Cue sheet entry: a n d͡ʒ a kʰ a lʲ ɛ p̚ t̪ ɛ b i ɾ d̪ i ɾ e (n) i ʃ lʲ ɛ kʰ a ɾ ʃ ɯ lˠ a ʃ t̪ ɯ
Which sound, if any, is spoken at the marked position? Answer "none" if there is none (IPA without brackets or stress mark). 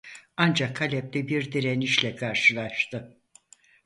n